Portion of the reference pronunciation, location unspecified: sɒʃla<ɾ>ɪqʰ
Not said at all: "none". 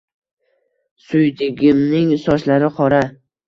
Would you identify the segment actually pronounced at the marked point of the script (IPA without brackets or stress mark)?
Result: ɾ